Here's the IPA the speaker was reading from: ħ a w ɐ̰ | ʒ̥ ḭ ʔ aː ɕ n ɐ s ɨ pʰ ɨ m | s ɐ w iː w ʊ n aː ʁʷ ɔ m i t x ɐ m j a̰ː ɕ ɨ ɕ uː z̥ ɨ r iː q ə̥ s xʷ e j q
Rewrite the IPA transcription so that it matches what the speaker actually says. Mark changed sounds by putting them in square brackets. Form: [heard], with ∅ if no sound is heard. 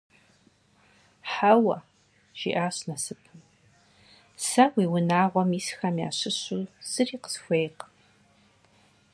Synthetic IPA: ħ a w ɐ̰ | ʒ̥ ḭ ʔ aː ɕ n ɐ s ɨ pʰ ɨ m | s ɐ w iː w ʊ n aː ʁʷ ɔ m i [s] x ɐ m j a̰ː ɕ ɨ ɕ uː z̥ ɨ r iː q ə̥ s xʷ e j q